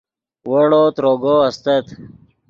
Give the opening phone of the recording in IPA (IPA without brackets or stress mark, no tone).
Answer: w